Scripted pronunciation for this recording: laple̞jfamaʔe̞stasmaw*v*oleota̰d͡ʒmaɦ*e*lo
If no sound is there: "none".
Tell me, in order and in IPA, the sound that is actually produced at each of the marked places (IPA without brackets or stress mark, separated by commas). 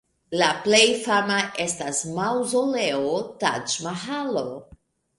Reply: z, a